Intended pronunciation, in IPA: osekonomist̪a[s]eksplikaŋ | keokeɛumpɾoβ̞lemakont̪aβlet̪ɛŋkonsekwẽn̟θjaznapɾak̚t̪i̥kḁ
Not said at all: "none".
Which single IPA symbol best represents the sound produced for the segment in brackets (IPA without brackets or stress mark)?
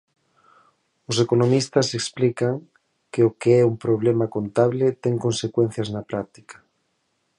s